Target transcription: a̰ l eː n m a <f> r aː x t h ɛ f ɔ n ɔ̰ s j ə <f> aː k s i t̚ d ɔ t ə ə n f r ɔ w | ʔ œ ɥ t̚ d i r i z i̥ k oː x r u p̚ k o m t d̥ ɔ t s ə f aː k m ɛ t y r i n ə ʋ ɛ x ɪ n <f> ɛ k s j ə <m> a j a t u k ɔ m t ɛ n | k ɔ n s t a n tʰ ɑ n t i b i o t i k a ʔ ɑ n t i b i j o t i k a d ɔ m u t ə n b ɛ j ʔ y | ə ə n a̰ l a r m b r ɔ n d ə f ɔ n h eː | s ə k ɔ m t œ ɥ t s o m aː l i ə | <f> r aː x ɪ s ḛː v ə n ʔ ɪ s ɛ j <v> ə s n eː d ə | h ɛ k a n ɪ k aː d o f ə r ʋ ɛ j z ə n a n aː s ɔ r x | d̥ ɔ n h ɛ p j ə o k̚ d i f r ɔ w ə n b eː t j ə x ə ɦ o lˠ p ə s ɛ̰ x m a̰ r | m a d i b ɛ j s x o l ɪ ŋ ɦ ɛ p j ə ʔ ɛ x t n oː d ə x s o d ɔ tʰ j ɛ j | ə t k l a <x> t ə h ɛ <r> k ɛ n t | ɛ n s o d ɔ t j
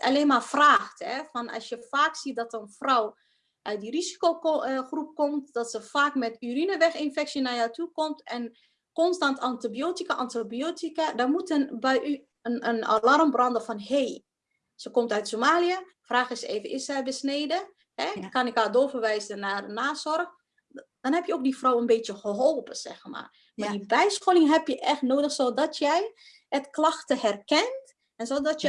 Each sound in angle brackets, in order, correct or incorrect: correct, correct, correct, incorrect: n, correct, incorrect: b, correct, correct

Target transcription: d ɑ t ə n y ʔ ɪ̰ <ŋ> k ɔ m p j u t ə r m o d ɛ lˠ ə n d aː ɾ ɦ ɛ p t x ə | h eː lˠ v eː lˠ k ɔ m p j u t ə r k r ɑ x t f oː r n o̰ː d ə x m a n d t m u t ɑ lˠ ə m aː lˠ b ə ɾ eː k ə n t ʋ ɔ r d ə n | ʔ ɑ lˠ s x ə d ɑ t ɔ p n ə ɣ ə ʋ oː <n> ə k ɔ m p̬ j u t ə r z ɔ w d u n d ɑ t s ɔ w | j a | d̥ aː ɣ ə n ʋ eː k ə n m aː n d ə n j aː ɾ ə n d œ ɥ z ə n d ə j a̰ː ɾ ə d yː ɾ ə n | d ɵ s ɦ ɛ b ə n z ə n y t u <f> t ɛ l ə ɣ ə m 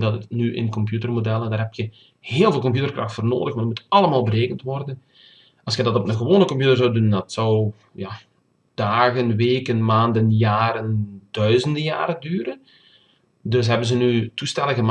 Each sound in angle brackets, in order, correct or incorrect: incorrect: n, correct, incorrect: s

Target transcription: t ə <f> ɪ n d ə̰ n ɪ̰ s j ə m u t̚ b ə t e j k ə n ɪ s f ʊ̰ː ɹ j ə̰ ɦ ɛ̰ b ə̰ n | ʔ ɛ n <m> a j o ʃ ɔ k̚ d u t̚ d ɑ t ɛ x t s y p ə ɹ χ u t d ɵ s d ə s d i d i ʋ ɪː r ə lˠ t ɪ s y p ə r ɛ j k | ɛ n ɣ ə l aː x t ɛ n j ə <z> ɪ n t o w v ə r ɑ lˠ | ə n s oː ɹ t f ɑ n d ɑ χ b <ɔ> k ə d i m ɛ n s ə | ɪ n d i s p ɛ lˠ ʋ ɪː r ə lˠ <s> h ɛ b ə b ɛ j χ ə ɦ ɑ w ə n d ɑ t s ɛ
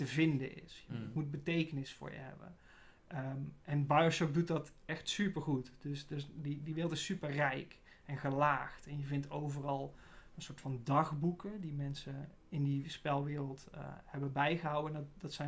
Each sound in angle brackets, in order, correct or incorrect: incorrect: v, incorrect: b, incorrect: v, incorrect: u, incorrect: t

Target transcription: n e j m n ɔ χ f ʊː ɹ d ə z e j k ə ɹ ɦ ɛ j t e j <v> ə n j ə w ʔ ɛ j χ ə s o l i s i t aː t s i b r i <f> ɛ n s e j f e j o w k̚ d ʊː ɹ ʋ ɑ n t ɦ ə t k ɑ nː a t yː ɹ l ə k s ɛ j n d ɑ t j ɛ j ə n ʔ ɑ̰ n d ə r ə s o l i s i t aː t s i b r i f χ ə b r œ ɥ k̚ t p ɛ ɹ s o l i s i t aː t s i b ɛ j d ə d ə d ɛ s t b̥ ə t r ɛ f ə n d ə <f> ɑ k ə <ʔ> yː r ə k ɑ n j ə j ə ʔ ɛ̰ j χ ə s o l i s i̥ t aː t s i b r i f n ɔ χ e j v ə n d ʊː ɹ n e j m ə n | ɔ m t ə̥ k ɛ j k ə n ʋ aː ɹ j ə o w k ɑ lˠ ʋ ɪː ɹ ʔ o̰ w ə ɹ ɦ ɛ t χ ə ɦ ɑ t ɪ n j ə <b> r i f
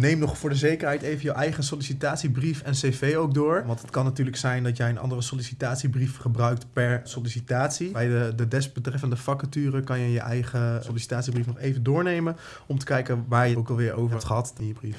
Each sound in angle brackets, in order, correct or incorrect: correct, correct, correct, incorrect: t, correct

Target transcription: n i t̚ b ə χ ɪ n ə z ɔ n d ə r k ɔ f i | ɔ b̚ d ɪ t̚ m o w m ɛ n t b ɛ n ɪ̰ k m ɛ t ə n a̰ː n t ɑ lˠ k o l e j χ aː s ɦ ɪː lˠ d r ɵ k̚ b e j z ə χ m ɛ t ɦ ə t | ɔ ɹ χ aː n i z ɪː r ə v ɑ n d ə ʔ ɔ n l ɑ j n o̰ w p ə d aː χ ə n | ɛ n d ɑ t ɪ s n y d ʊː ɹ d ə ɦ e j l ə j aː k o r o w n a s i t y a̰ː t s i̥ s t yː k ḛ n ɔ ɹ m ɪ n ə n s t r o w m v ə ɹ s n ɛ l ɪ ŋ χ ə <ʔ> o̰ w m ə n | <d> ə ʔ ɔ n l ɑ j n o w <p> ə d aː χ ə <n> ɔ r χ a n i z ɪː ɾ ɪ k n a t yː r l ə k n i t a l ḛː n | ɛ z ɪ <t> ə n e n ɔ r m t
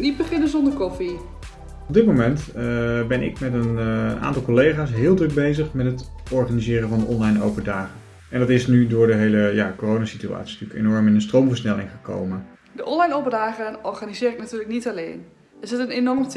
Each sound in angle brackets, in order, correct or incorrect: incorrect: k, correct, correct, correct, correct

